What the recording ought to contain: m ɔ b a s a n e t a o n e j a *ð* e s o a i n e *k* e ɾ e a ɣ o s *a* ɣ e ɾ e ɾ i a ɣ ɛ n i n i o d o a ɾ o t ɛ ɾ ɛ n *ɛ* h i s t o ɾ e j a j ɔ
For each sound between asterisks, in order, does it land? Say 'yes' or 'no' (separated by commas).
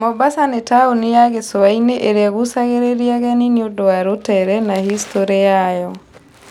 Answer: no, no, yes, no